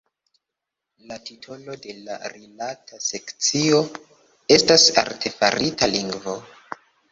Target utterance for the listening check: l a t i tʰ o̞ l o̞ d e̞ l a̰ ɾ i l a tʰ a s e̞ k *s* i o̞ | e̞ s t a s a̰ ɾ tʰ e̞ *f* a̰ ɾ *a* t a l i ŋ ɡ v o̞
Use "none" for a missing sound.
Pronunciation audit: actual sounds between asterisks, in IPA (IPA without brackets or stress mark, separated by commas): t͡s, f, i